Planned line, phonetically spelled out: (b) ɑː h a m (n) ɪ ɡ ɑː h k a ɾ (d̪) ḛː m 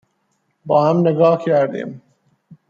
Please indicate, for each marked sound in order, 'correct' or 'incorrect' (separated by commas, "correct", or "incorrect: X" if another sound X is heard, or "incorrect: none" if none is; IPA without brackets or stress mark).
correct, correct, correct